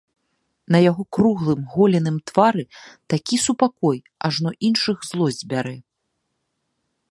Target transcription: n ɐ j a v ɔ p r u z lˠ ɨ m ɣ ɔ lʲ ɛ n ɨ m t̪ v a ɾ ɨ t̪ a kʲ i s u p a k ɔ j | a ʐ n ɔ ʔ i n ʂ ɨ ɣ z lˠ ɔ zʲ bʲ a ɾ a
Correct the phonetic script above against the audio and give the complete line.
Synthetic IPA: n ɐ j a ɣ ɔ k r u ɣ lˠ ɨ m ɣ ɔ lʲ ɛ n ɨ m t̪ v a ɾ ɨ t̪ a kʲ i s u p a k ɔ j | a ʐ n ɔ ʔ i n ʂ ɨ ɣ z lˠ ɔ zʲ bʲ a ɾ ɛ